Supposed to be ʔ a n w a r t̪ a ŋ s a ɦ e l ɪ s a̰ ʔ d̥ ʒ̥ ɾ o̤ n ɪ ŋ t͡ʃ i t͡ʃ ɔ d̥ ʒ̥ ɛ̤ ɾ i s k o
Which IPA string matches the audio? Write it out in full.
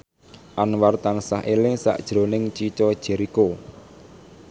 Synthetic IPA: ʔ a n w a r t̪ a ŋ s a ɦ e l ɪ s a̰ ʔ d̥ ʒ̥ ɾ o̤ n ɪ ŋ t͡ʃ i t͡ʃ ɔ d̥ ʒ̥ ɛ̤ ɾ i k o